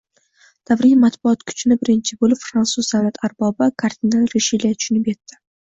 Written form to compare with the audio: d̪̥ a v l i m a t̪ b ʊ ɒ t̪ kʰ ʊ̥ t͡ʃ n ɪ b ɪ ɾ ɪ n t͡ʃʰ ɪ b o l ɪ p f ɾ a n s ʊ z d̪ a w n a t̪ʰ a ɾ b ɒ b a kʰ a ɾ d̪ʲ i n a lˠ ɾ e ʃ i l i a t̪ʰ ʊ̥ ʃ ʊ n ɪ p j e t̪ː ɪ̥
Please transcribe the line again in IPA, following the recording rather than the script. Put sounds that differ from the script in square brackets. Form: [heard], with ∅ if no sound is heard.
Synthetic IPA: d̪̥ a v [ɾ] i m a t̪ b ʊ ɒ t̪ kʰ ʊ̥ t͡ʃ n ɪ b ɪ ɾ ɪ n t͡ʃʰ ɪ b o l ɪ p f ɾ a n s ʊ z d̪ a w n a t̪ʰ a ɾ b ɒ b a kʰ a ɾ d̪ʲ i n a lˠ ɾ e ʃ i l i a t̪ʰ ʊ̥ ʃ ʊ n ɪ p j e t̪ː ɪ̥